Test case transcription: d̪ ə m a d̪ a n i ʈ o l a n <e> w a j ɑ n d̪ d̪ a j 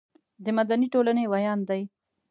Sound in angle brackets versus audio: correct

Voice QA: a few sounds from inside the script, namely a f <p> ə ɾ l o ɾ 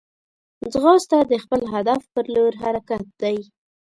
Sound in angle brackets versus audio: correct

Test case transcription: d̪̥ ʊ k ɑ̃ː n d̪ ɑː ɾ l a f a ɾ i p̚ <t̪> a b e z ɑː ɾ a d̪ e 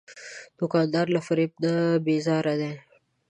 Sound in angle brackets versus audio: incorrect: d̪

